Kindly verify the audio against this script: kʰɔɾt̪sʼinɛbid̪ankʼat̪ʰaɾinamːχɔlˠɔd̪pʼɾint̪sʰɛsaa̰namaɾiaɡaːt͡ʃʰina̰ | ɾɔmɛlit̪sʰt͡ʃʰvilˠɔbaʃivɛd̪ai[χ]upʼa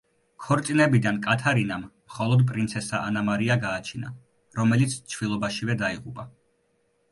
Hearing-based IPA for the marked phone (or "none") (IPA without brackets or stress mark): ʁ